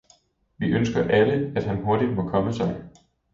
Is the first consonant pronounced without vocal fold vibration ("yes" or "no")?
no